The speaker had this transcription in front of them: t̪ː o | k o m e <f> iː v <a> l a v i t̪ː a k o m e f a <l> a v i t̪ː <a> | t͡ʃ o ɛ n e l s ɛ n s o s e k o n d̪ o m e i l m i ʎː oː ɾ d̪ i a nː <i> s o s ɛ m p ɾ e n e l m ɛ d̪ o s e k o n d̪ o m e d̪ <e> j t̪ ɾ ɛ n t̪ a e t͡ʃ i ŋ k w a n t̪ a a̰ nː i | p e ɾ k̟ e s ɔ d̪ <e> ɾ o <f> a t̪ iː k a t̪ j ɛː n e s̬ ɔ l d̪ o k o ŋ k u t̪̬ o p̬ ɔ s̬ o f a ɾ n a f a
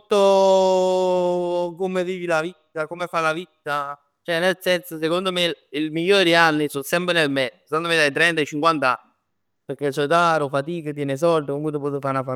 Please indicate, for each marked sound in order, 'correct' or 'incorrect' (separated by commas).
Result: incorrect, incorrect, correct, correct, correct, incorrect, incorrect, correct